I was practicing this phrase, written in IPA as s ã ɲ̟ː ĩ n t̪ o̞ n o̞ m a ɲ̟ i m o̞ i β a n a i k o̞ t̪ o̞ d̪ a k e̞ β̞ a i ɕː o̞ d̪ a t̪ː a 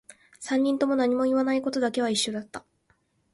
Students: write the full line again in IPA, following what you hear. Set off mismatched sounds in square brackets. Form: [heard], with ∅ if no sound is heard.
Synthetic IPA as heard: s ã ɲ̟ː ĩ n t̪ o̞ [m] o̞ [n] a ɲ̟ i m o̞ i β a n a i k o̞ t̪ o̞ d̪ a k e̞ β̞ a i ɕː o̞ d̪ a t̪ː a

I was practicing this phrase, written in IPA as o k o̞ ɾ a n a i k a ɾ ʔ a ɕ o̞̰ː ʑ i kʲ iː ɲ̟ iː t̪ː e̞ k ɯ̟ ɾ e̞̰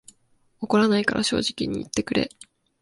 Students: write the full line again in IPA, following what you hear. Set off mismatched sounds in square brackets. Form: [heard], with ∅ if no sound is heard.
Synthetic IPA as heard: o k o̞ ɾ a n a i k a ɾ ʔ a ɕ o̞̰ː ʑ i kʲ [i] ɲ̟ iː t̪ː e̞ k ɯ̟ ɾ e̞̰

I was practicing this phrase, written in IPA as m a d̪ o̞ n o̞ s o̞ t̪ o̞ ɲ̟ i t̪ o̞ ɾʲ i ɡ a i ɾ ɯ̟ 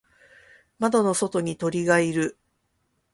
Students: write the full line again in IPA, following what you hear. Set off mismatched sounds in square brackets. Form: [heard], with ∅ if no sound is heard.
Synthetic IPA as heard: m a d̪ o̞ n o̞ s o̞ t̪ o̞ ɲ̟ i t̪ o̞ ɾʲ i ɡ a i ɾ ɯ̟

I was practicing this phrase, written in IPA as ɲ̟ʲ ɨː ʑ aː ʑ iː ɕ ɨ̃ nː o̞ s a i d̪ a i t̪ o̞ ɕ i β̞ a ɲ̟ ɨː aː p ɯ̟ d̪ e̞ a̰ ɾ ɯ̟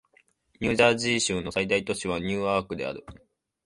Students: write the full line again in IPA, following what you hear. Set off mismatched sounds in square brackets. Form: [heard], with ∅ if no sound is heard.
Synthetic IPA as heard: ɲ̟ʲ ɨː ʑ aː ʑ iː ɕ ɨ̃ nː o̞ s a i d̪ a i t̪ o̞ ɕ i β̞ a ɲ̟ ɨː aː [k] ɯ̟ d̪ e̞ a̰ ɾ ɯ̟

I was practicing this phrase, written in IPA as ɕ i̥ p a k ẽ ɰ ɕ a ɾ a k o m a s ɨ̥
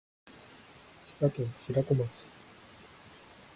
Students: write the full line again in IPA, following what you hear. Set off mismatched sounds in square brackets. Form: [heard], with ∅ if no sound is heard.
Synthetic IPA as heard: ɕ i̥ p a k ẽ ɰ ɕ [i] ɾ a k o m a [t͡s] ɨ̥

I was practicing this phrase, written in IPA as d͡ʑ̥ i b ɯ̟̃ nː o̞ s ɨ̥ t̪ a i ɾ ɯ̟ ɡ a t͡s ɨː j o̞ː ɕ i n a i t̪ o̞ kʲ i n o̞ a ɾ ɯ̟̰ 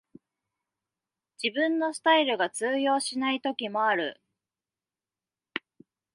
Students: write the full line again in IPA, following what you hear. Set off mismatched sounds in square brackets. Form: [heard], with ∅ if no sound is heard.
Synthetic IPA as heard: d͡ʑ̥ i b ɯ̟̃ nː o̞ s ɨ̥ t̪ a i ɾ ɯ̟ ɡ a t͡s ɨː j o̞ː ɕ i n a i t̪ o̞ kʲ i [m] o̞ a ɾ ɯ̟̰

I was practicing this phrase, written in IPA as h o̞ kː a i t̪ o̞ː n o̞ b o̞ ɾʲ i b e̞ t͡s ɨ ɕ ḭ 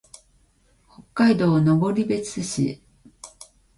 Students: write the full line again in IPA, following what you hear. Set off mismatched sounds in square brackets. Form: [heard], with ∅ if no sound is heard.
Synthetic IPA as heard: h o̞ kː a i [d̪] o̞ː n o̞ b o̞ ɾʲ i b e̞ t͡s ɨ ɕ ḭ

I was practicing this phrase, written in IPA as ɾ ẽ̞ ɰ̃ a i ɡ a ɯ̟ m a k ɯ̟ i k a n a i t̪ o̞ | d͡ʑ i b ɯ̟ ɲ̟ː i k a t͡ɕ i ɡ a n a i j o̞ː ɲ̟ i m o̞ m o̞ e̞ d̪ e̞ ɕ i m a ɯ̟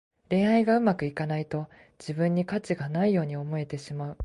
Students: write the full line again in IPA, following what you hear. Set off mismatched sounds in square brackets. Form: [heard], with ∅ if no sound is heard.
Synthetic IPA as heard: ɾ ẽ̞ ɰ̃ a i ɡ a ɯ̟ m a k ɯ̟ i k a n a i t̪ o̞ | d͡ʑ i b [ɯ̟̃] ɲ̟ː i k a t͡ɕ i ɡ a n a i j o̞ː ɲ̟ i [∅] o̞ m o̞ e̞ [t̪] e̞ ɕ i m a ɯ̟

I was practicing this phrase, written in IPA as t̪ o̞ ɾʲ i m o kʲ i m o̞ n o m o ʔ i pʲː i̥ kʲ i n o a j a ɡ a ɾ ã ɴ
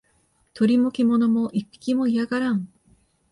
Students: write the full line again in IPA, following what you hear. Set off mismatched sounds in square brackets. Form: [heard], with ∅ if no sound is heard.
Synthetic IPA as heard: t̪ o̞ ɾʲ i m o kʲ i m o̞ n o m o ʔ i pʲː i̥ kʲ i [m] o [i] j a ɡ a ɾ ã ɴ

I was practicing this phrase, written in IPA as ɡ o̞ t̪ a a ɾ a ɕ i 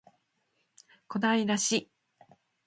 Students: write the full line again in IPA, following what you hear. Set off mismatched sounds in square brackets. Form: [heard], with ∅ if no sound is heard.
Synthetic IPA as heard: [k] o̞ [d̪] a [i] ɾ a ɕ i

